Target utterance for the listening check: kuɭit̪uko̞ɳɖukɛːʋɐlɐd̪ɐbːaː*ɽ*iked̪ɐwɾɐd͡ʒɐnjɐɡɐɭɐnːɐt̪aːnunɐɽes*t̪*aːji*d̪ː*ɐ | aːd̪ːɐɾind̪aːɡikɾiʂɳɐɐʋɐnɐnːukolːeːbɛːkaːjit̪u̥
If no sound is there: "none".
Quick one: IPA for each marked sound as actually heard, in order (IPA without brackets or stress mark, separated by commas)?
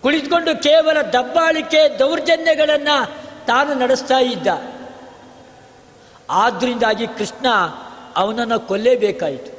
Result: ɭ, t̪, d̪ː